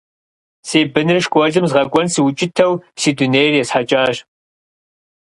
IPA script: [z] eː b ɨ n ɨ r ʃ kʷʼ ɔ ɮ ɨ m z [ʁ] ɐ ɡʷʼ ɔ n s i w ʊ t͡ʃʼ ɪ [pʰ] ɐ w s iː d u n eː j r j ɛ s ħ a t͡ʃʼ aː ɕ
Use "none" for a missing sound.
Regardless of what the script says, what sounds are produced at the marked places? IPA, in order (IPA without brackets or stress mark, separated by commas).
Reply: s, ʁ, tʰ